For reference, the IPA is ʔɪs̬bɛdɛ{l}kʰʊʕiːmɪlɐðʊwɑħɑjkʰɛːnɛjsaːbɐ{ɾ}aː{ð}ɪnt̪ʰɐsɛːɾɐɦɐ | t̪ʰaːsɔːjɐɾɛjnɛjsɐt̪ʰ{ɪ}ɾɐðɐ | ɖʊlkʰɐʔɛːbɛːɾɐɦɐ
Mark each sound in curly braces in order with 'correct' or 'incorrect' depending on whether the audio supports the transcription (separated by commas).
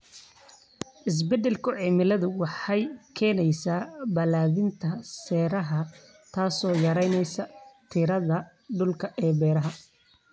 correct, incorrect, correct, correct